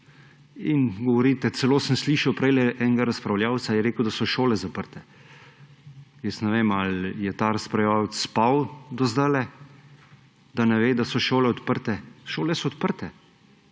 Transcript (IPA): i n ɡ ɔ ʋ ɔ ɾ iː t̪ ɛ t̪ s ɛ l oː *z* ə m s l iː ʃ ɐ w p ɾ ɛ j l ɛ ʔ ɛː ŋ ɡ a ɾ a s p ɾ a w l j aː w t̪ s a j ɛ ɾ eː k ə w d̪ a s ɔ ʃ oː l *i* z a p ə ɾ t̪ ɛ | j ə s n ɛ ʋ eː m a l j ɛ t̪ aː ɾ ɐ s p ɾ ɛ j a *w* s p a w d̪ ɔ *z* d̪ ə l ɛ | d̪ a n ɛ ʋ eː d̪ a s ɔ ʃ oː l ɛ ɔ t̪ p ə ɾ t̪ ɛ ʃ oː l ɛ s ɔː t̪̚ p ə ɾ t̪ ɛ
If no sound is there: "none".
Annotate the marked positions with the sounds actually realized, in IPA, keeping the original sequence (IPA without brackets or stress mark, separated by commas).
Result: s, ɛ, w, z